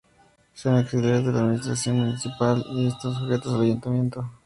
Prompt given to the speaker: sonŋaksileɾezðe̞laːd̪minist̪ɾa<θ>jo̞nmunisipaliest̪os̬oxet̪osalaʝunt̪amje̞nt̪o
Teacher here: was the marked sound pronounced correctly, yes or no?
no